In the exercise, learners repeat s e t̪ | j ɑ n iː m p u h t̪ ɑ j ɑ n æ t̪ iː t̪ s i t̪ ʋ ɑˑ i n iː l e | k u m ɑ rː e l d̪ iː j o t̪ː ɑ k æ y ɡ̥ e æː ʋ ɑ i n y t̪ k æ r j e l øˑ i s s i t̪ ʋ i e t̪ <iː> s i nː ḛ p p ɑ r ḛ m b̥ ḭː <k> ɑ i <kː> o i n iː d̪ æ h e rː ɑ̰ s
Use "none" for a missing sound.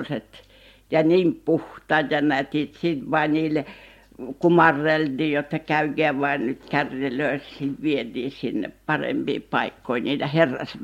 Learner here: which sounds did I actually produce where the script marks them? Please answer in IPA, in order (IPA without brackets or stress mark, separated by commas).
iː, p, kː